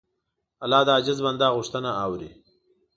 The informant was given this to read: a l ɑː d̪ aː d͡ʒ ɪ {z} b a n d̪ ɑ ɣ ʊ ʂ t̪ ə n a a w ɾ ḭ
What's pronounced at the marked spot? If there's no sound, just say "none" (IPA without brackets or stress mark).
z